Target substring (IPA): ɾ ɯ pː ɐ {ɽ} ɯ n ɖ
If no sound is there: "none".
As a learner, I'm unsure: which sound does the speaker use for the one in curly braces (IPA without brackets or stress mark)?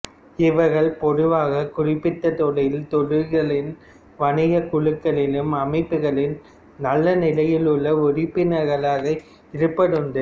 ɽ